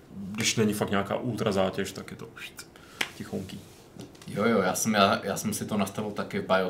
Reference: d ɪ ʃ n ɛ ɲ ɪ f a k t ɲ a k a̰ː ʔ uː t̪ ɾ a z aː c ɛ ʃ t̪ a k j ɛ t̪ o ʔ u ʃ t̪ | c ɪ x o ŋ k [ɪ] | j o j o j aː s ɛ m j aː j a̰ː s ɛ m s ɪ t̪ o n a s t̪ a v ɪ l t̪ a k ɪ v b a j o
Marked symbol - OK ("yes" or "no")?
no